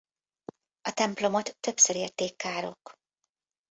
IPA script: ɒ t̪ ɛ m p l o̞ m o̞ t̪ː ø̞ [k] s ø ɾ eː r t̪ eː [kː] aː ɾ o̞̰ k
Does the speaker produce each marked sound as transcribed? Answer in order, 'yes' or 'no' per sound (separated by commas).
no, yes